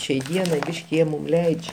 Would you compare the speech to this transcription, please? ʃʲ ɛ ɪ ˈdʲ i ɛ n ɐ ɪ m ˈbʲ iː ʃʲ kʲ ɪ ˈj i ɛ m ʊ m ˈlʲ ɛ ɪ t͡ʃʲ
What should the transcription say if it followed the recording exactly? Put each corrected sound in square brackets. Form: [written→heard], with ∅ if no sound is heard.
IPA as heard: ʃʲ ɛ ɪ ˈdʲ i ɛ n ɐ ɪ [m→∅] ˈbʲ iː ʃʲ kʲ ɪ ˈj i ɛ m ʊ m ˈlʲ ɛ ɪ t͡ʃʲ